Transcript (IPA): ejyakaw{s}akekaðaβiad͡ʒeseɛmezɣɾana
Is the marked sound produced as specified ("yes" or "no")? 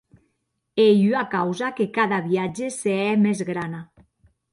no